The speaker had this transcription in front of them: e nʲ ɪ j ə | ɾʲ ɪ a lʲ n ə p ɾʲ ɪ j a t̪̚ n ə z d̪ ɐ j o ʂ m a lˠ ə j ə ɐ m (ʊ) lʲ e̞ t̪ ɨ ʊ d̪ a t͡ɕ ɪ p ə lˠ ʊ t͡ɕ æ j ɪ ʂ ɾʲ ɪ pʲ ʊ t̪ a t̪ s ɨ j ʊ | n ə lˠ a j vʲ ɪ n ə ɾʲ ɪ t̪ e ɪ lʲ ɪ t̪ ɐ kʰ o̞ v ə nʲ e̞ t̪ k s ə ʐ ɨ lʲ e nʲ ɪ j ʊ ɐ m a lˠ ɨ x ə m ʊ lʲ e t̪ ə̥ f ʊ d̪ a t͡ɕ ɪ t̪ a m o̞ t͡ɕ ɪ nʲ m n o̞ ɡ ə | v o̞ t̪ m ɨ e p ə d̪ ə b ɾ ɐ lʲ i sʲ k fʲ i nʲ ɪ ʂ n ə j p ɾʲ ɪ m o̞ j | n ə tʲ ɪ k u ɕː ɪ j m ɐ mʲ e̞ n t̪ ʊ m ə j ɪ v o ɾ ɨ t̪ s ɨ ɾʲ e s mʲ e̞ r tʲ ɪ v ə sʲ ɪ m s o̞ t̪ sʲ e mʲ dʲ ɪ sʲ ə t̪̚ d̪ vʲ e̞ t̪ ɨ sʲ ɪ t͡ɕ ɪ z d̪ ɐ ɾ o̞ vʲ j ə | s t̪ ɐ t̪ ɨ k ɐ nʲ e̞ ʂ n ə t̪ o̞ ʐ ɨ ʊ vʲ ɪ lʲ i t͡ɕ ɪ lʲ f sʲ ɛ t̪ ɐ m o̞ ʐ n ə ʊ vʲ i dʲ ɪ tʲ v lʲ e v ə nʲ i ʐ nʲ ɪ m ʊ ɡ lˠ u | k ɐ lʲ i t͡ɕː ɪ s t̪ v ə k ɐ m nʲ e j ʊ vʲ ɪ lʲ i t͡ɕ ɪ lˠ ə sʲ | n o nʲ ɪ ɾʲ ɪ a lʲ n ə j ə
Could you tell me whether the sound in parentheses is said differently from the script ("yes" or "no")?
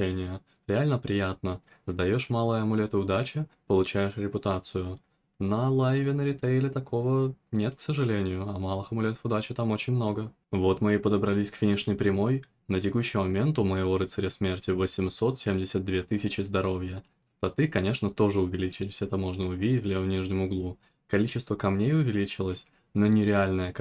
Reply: no